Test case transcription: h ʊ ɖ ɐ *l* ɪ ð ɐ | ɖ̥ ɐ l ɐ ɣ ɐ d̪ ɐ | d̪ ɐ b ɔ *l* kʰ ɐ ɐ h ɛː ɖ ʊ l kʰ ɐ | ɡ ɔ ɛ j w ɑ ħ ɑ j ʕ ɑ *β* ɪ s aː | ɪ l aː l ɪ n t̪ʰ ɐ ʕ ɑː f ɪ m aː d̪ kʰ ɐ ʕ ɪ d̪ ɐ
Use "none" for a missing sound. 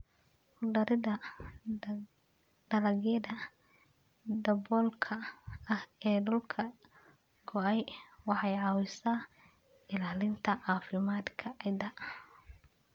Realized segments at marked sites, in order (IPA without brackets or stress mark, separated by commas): ɾ, l, w